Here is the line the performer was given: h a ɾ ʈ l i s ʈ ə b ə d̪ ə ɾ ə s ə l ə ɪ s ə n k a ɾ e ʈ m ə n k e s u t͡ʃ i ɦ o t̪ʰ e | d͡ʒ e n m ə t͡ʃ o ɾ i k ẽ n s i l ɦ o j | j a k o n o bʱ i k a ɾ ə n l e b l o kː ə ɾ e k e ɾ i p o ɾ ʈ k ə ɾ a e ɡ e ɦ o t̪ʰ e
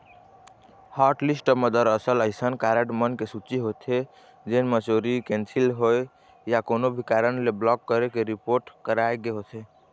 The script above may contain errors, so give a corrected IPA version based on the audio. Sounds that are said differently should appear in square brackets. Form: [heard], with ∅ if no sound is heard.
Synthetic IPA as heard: h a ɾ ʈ l i s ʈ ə [m] ə d̪ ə ɾ ə s ə l ə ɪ s ə n k a ɾ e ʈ m ə n k e s u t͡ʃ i ɦ o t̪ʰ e | d͡ʒ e n m ə t͡ʃ o ɾ i k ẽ n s i l ɦ o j | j a k o n o bʱ i k a ɾ ə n l e b l [ɔ] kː ə ɾ e k e ɾ i p o ɾ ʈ k ə ɾ a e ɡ e ɦ o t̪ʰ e